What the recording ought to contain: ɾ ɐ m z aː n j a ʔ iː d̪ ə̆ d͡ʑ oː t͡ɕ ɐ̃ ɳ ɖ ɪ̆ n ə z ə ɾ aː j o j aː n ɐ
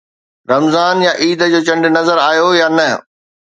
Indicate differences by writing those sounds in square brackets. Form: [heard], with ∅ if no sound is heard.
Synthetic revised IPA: ɾ ɐ m z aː n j a ʔ iː d̪ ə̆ d͡ʑ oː t͡ɕ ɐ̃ ɳ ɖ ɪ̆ n [ɐ] z ə ɾ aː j o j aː n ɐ